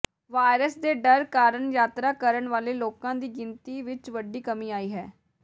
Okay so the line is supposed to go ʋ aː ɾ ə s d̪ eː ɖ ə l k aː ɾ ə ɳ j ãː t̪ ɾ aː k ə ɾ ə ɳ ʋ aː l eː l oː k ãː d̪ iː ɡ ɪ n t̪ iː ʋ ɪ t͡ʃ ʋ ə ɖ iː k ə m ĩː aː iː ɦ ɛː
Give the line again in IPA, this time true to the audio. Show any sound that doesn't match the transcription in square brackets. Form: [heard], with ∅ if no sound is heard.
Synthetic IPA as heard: ʋ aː ɾ ə s d̪ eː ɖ ə [ɾ] k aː ɾ ə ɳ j [aː] t̪ ɾ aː k ə ɾ ə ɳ ʋ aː l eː l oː k ãː d̪ iː ɡ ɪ n t̪ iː ʋ ɪ t͡ʃ ʋ ə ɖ iː k ə m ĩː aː iː ɦ ɛː